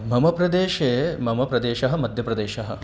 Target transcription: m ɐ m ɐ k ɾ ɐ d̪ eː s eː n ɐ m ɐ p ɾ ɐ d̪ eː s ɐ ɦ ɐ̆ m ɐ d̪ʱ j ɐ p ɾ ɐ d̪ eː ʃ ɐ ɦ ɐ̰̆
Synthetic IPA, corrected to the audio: m ɐ m ɐ p ɾ ɐ d̪ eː ʃ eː m ɐ m ɐ p ɾ ɐ d̪ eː ʃ ɐ ɦ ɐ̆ m ɐ d̪ʱ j ɐ p ɾ ɐ d̪ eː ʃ ɐ ɦ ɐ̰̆